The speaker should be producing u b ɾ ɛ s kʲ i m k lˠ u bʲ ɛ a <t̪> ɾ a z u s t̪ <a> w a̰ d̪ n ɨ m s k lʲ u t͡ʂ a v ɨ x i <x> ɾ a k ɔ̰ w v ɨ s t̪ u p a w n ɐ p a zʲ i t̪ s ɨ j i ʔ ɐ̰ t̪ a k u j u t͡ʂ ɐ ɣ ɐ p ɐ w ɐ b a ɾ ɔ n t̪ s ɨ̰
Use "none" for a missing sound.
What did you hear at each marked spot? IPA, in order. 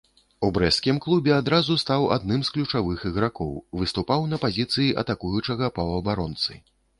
d̪, a, ɣ

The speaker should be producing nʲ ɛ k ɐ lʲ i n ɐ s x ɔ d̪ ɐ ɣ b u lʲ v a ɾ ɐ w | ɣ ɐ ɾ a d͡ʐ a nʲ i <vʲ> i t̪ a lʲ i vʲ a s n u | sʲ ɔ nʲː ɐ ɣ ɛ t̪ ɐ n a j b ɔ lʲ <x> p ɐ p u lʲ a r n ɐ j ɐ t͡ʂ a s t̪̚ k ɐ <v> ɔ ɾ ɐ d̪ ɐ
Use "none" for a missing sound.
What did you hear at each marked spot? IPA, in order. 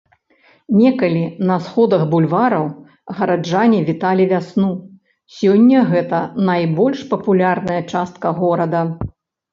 vʲ, ʂ, ɣ

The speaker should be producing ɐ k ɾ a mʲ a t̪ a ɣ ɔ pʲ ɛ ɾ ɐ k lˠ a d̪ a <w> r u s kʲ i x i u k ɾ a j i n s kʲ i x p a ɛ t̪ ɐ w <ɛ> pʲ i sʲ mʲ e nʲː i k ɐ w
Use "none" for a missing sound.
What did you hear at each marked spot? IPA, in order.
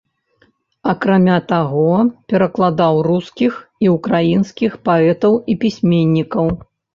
w, i

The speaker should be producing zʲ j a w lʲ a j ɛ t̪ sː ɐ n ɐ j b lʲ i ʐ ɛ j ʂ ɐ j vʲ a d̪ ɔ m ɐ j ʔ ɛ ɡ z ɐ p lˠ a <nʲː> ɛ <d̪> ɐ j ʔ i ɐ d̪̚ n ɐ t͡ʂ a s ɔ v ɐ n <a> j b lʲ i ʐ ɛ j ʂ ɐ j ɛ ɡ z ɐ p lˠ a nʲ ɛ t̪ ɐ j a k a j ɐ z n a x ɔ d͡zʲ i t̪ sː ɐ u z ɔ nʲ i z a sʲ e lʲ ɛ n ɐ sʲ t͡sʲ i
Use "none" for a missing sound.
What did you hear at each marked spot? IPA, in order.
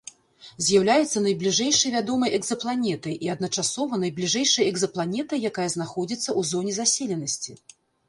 nʲ, t̪, ɐ

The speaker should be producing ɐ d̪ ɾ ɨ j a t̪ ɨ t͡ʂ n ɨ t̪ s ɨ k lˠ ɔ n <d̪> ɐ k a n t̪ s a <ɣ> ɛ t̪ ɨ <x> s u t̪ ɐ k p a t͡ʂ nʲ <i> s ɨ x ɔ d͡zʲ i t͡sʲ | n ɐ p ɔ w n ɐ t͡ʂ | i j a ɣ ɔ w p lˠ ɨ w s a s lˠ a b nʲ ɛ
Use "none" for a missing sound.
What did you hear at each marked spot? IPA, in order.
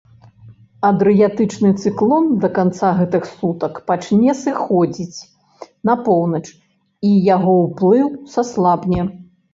d̪, ɣ, x, ɛ

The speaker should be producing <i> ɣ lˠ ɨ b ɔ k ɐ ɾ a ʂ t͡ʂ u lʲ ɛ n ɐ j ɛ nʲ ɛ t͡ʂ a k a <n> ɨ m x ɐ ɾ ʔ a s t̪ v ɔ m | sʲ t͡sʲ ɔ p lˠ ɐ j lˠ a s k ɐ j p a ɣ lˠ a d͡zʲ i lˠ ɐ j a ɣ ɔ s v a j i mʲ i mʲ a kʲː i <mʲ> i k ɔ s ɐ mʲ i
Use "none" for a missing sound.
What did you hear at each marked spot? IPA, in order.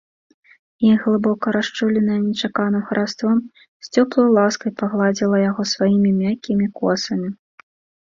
i, n, mʲ

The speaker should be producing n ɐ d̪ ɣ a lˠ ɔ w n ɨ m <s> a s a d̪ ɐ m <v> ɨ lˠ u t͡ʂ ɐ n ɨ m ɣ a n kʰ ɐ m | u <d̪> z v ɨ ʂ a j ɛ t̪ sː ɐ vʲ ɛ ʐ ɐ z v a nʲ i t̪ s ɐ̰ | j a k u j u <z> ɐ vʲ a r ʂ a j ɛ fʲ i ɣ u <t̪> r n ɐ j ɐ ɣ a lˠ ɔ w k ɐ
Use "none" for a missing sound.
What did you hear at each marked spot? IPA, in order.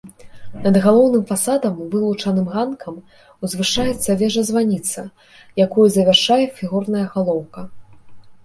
f, v, none, z, none

